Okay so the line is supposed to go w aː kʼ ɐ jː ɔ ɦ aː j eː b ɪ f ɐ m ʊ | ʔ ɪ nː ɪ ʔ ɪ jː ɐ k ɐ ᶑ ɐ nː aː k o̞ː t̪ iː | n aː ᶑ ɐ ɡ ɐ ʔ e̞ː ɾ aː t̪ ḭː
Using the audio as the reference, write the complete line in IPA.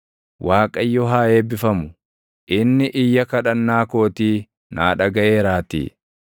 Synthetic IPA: w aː kʼ ɐ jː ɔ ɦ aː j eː b ɪ f ɐ m ʊ | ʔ ɪ nː ɪ ʔ ɪ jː ɐ k ɐ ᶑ ɐ nː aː k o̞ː t̪ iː | n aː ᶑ ɐ ɡ ɐ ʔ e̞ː ɾ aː t̪ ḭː

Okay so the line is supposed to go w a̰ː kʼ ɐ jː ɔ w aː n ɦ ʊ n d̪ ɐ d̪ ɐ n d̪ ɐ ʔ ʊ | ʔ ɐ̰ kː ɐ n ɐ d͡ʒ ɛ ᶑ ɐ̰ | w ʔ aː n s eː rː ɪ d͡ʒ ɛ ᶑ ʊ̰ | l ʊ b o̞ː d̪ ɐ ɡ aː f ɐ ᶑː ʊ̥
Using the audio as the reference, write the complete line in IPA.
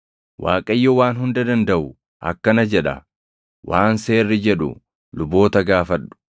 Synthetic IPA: w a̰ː kʼ ɐ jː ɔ w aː n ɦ ʊ n d̪ ɐ d̪ ɐ n d̪ ɐ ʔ ʊ | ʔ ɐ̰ kː ɐ n ɐ d͡ʒ ɛ ᶑ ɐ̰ | w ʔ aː n s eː rː ɪ d͡ʒ ɛ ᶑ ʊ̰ | l ʊ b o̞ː t̪ ɐ ɡ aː f ɐ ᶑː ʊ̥

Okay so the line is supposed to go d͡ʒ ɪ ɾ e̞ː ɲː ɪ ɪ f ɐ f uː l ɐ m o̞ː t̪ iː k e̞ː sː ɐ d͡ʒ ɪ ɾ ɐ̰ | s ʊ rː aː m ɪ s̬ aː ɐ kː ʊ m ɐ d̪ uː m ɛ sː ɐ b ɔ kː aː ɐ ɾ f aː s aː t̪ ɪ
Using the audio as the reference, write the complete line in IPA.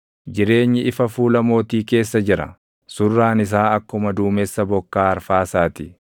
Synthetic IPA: d͡ʒ ɪ ɾ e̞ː ɲː ɪ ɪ f ɐ f uː l ɐ m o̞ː t̪ iː k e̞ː sː ɐ d͡ʒ ɪ ɾ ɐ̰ | s ʊ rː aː n ɪ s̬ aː ɐ kː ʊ m ɐ d̪ uː m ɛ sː ɐ b ɔ kː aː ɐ ɾ f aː s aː t̪ ɪ

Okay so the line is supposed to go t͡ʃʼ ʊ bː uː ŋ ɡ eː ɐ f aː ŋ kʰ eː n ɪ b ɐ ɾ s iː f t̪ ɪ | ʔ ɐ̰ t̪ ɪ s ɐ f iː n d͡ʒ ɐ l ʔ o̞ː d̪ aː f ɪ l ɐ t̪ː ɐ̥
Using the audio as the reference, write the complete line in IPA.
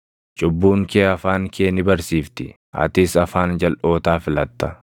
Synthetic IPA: t͡ʃʼ ʊ bː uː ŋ k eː ɐ f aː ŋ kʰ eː n ɪ b ɐ ɾ s iː f t̪ ɪ | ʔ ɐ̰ t̪ ɪ s ɐ f aː n d͡ʒ ɐ l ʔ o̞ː t̪ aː f ɪ l ɐ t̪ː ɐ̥

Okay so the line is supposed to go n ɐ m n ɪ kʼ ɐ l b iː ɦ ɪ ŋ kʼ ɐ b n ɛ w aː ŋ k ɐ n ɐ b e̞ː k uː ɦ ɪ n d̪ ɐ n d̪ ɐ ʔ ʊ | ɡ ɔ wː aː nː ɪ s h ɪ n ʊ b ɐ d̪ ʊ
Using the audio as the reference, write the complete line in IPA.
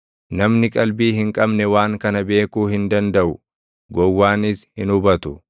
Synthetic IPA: n ɐ m n ɪ kʼ ɐ l b iː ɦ ɪ ŋ kʼ ɐ b n ɛ w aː ŋ k ɐ n ɐ b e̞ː k uː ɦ ɪ n d̪ ɐ n d̪ ɐ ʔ ʊ | ɡ ɔ wː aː n ɪ s h ɪ n ʊ b ɐ t̪ ʊ

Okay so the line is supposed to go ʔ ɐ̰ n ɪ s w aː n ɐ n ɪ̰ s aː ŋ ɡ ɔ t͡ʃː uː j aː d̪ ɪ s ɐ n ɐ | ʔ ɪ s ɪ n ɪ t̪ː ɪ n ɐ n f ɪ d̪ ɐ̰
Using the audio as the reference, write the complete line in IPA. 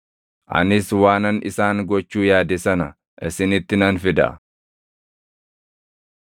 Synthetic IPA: ʔ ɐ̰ n ɪ s w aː n ɐ n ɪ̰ s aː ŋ ɡ ɔ t͡ʃː uː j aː d̪ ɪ s ɐ n ɐ | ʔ ɪ s ɪ n ɪ t̪ː ɪ n ɐ n f ɪ d̪ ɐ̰

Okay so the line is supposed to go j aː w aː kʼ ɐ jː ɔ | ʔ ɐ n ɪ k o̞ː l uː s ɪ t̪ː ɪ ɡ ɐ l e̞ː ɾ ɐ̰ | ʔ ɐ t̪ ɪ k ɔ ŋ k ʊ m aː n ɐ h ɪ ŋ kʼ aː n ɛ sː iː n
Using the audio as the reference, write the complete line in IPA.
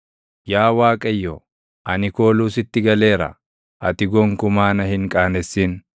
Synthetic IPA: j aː w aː kʼ ɐ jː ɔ | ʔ ɐ n ɪ k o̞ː l uː s ɪ t̪ː ɪ ɡ ɐ l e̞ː ɾ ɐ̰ | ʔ ɐ t̪ ɪ ɡ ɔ ŋ k ʊ m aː n ɐ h ɪ ŋ kʼ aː n ɛ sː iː n

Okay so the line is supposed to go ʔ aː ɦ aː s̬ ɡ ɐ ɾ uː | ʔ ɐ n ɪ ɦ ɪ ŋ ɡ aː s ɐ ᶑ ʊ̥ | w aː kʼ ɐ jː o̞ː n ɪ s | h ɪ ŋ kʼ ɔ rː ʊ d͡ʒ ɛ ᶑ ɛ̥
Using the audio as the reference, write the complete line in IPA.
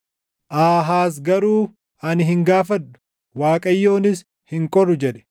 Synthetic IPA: ʔ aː ɦ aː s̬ ɡ ɐ ɾ uː | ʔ ɐ n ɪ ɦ ɪ ŋ ɡ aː f ɐ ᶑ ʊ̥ | w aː kʼ ɐ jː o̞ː n ɪ s | h ɪ ŋ kʼ ɔ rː ʊ d͡ʒ ɛ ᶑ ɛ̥

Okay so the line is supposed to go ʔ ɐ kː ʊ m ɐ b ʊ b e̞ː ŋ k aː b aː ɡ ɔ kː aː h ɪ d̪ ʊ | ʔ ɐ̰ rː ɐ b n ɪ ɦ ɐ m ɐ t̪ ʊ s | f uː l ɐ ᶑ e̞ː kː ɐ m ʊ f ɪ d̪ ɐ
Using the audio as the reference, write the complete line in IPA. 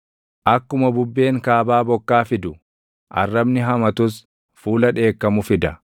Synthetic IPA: ʔ ɐ kː ʊ m ɐ b ʊ bː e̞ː ŋ k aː b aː b ɔ kː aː f ɪ d̪ ʊ | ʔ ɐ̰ rː ɐ b n ɪ ɦ ɐ m ɐ t̪ ʊ s | f uː l ɐ ᶑ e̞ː kː ɐ m ʊ f ɪ d̪ ɐ

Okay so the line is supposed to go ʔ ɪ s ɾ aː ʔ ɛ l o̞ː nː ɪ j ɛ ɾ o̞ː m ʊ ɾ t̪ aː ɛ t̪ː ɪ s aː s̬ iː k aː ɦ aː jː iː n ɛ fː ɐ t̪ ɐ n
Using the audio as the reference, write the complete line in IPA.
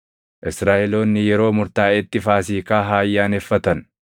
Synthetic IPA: ʔ ɪ s ɾ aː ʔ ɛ l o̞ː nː ɪ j ɛ ɾ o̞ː m ʊ ɾ t̪ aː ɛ t̪ː ɪ f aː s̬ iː k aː ɦ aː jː aː n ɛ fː ɐ t̪ ɐ n

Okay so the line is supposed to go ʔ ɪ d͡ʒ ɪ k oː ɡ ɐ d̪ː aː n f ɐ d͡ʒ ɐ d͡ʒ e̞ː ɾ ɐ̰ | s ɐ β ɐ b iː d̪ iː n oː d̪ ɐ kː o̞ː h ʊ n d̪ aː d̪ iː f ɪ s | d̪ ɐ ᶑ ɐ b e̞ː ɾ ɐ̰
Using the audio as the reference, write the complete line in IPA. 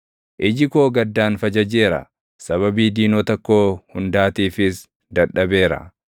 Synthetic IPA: ʔ ɪ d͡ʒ ɪ k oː ɡ ɐ d̪ː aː n f ɐ d͡ʒ ɐ d͡ʒ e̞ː ɾ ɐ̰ | s ɐ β ɐ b iː d̪ iː n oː t̪ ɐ kː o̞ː h ʊ n d̪ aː t̪ iː f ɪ s | d̪ ɐ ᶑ ɐ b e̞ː ɾ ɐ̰

